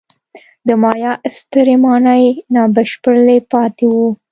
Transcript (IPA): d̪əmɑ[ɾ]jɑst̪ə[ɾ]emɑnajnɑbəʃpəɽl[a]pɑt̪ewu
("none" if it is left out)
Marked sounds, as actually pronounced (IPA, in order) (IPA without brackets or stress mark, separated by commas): none, ɾ, e